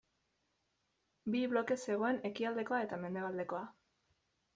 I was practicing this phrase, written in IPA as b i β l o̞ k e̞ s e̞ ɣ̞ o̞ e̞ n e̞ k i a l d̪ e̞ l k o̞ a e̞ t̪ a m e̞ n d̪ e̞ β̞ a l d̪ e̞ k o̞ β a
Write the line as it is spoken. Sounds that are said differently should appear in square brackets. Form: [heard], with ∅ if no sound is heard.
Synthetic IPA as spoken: b i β l o̞ k e̞ s e̞ ɣ̞ o̞ e̞ n e̞ k i a l d̪ e̞ [∅] k o̞ a e̞ t̪ a m e̞ n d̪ e̞ β̞ a l d̪ e̞ k o̞ [∅] a